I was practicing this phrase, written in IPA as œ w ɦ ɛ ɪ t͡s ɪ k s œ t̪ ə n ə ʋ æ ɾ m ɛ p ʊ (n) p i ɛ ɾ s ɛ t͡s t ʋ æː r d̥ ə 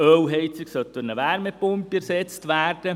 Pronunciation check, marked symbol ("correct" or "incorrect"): incorrect